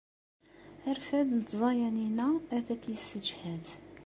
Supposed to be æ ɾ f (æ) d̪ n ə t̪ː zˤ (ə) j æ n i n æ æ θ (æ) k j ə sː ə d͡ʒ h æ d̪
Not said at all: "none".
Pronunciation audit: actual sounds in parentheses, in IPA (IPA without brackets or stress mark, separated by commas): æ, ɑ, æ